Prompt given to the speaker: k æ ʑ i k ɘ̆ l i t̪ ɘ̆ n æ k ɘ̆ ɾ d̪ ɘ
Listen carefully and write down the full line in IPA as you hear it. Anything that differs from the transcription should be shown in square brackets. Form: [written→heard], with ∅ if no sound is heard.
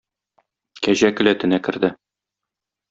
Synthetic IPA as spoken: k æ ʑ [i→æ] k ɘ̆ l [i→æ] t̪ ɘ̆ n æ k ɘ̆ ɾ d̪ ɘ